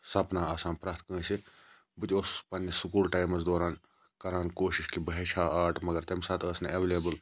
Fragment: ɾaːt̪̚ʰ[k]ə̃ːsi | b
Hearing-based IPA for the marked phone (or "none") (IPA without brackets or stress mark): k